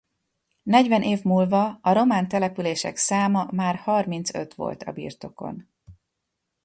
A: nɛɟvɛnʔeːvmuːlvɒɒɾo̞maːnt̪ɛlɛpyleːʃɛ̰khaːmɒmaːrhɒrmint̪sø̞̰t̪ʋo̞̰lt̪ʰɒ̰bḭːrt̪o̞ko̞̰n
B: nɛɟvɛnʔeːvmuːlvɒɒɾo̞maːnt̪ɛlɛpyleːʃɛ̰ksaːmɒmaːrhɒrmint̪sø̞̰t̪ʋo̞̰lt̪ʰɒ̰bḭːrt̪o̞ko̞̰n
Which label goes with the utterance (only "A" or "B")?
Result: B